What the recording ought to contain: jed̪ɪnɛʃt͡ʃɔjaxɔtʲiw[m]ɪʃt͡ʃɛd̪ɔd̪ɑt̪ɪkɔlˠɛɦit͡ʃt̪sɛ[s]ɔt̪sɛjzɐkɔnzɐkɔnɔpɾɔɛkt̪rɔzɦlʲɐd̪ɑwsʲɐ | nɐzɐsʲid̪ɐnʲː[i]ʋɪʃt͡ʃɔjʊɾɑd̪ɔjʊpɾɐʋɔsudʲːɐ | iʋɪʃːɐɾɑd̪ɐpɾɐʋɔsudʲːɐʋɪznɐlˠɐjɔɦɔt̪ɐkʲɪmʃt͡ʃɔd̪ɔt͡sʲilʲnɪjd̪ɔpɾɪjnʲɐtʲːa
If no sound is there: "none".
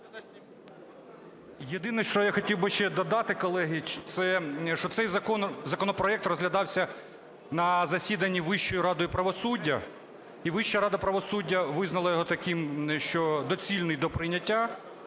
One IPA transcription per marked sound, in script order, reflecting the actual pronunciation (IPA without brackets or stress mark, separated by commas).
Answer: b, ʃ, i